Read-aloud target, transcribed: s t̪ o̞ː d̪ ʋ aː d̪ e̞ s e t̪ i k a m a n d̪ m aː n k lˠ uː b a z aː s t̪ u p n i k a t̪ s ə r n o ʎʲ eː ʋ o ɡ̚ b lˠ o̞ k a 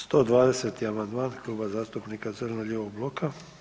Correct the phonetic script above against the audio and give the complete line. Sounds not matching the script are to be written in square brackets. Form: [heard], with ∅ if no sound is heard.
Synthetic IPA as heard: s t̪ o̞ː d̪ ʋ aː d̪ e̞ s e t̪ i [∅] a m a n d̪ m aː n k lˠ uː b a z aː s t̪ u p n i k a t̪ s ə r n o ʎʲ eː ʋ o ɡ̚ b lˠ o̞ k a